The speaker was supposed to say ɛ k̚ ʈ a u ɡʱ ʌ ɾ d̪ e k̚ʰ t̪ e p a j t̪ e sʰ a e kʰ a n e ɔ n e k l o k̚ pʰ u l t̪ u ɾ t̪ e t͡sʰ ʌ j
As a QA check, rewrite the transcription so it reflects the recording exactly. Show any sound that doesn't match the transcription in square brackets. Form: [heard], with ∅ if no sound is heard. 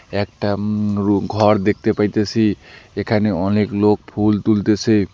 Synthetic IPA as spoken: [e] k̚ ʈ a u ɡʱ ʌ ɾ d̪ e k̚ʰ t̪ e p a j t̪ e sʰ [i] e kʰ a n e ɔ n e k l o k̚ pʰ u l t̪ u [l] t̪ e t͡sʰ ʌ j